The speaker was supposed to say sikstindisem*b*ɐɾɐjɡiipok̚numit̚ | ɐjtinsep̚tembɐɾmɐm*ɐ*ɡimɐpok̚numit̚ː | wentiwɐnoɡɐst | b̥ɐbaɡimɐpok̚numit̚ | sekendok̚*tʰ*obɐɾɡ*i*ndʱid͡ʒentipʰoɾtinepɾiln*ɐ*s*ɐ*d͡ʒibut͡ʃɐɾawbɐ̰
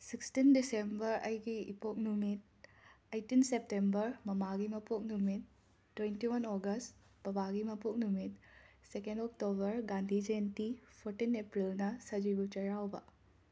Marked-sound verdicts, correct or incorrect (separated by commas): correct, incorrect, incorrect, incorrect, correct, correct